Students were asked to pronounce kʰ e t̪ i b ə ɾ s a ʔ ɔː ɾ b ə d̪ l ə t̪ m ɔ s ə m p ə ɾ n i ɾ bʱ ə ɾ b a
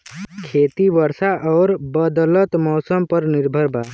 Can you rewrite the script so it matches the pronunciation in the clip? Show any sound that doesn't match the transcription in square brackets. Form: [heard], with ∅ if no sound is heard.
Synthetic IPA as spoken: kʰ e t̪ i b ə ɾ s a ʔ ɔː ɾ b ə d̪ l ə t̪ m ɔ s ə m p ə ɾ n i ɾ bʱ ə ɾ b a